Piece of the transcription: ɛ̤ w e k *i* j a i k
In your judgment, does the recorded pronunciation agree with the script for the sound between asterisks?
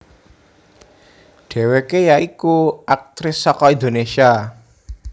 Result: no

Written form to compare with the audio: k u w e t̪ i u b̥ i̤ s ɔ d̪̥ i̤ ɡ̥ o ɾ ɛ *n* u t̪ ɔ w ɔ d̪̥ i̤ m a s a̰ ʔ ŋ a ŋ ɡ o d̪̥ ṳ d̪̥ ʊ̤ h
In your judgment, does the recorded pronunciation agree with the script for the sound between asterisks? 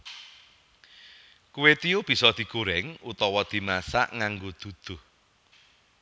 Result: no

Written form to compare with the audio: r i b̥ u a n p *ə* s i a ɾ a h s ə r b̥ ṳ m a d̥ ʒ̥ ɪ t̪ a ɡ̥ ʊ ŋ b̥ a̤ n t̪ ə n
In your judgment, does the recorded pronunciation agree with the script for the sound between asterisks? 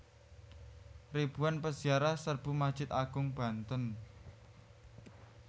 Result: yes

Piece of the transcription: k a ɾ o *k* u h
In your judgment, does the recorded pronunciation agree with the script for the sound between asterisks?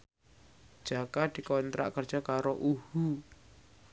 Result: no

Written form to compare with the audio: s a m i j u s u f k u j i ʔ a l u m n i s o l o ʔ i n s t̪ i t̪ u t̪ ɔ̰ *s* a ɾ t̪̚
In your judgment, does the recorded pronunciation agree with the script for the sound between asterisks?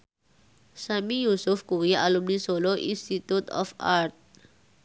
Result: no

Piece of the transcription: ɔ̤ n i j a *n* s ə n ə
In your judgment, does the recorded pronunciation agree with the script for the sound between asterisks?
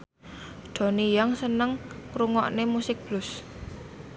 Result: no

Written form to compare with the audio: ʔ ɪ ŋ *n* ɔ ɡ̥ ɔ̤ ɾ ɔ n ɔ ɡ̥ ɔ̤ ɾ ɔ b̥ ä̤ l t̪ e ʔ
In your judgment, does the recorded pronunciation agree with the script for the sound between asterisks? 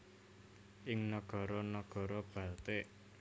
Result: yes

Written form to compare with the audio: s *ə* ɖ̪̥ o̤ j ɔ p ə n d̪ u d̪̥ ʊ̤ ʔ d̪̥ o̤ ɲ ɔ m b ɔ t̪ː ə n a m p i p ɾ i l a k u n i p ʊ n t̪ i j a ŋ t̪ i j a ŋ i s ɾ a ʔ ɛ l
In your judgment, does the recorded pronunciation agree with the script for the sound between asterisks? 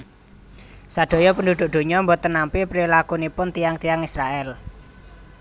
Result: no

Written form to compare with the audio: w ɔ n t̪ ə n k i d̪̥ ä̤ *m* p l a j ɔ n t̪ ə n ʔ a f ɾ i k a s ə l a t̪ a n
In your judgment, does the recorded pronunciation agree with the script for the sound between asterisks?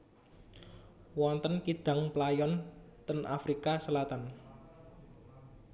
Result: no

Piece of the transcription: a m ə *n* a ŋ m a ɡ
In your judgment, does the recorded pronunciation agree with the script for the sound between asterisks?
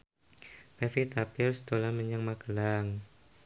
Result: no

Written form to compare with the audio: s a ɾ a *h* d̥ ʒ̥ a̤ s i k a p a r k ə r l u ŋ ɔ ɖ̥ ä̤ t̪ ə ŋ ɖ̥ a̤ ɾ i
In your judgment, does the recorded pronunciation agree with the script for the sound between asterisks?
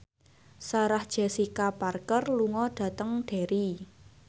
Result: yes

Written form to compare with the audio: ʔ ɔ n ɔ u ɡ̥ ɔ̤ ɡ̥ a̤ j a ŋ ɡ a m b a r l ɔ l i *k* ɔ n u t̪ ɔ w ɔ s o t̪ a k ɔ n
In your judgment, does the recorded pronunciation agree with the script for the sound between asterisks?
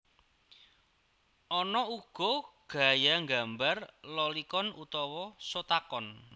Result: yes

